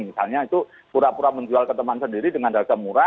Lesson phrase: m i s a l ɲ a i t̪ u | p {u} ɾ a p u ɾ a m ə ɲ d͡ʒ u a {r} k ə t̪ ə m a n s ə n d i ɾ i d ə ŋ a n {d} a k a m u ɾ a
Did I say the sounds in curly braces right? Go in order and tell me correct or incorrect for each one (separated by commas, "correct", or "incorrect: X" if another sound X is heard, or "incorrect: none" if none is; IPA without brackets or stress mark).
correct, incorrect: l, correct